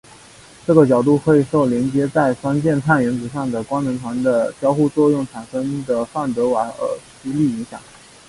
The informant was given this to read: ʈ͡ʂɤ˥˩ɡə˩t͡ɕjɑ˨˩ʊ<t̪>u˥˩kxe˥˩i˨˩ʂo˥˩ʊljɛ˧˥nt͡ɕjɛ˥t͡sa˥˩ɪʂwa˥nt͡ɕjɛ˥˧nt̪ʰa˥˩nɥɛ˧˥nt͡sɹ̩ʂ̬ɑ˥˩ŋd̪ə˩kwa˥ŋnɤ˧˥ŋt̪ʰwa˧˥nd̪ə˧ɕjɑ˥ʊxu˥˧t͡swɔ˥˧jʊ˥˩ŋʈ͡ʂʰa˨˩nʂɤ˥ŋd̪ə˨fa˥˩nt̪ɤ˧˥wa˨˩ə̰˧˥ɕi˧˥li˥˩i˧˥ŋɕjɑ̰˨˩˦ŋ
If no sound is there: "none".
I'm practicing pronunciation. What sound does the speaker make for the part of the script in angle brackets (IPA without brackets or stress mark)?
t̪